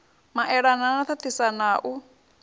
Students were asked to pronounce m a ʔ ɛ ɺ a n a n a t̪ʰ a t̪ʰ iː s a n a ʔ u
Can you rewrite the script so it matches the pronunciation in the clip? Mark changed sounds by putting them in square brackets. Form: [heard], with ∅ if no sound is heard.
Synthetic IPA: m a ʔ ɛ ɺ a n a n a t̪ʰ a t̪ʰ [i] s a n a ʔ u